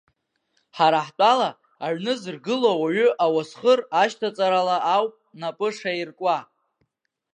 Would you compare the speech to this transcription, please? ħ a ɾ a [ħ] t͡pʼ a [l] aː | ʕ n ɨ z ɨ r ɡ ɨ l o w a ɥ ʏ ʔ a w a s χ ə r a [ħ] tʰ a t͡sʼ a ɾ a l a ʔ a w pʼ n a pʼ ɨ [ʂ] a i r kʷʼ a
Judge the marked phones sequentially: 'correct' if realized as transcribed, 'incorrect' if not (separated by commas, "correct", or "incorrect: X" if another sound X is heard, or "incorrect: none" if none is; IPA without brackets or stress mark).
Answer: correct, correct, incorrect: ʃ, correct